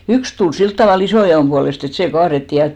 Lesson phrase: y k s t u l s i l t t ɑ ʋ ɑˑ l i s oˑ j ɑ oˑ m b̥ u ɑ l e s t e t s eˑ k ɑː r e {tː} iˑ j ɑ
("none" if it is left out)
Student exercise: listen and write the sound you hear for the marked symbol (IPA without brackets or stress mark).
tː